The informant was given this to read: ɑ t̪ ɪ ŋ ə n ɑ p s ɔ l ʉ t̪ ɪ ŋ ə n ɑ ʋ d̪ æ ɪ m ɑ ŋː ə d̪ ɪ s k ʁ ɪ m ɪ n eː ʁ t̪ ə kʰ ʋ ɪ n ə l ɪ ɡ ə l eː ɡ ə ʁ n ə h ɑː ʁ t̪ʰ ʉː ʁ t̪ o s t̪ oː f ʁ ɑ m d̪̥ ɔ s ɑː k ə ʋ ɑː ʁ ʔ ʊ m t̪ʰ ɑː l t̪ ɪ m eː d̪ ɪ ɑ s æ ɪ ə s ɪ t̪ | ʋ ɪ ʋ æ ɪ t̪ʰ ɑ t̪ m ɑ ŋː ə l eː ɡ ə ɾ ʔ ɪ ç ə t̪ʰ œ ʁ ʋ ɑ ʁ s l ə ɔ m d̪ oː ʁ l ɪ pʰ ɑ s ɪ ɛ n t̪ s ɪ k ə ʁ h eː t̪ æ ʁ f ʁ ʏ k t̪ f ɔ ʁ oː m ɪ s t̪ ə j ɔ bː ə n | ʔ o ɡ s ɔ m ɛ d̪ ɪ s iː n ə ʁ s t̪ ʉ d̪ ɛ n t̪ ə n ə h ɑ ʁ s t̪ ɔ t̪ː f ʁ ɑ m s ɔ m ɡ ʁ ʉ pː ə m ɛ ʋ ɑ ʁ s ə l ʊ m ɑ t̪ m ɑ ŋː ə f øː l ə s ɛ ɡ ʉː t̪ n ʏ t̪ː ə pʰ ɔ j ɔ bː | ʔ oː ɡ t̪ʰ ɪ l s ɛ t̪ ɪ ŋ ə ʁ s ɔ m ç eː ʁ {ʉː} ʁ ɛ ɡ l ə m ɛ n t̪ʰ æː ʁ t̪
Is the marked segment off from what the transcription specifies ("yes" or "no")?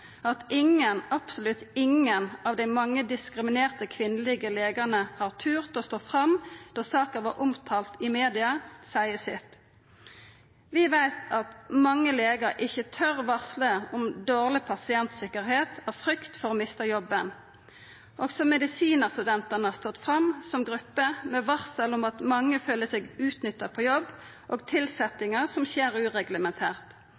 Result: no